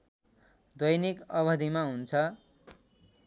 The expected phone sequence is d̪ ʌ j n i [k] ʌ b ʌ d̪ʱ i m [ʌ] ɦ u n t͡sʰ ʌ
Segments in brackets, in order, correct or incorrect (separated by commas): correct, incorrect